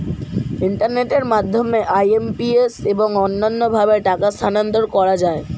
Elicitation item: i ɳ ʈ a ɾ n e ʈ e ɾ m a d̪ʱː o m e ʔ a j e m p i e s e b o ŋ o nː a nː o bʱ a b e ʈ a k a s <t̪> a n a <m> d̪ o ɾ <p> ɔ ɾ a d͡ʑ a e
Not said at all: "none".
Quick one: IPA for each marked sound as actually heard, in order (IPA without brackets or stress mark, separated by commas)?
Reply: t̪ʰ, n, k